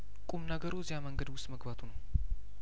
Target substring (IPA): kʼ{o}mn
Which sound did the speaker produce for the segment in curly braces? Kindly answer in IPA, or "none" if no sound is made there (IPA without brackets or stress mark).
u